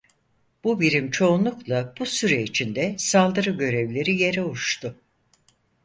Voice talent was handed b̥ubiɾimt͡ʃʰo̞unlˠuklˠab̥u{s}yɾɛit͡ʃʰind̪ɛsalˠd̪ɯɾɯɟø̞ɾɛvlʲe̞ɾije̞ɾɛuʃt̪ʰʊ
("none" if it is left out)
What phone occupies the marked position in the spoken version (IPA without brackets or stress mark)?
s